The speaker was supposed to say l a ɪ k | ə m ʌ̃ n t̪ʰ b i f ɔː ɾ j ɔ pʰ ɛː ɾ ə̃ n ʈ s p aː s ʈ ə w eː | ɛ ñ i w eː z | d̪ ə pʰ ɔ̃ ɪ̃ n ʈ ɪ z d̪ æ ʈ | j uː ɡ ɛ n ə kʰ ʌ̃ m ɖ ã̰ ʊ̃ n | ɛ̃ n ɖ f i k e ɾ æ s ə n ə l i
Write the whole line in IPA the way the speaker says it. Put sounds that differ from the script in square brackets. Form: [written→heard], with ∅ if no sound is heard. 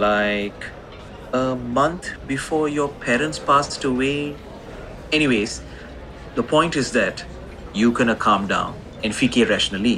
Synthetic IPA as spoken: l a ɪ k | ə m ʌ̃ n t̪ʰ b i f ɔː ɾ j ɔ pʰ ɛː ɾ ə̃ n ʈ s p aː s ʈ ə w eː | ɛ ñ i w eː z | d̪ ə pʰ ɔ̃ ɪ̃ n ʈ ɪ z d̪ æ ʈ | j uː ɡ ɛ n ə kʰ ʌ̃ m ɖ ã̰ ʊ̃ n | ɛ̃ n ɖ f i k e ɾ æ [s→ʃ] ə n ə l i